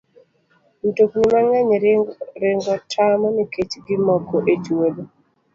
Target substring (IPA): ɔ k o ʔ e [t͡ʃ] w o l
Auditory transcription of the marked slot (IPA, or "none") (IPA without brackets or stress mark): t͡ʃ